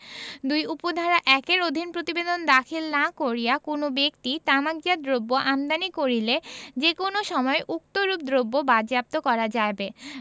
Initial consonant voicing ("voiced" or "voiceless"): voiced